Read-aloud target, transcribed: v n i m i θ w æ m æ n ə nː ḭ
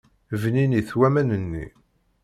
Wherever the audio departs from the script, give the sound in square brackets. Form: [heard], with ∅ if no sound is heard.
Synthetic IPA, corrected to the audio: v n i [n] i θ w æ m æ n ə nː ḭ